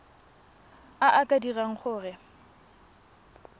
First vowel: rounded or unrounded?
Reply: unrounded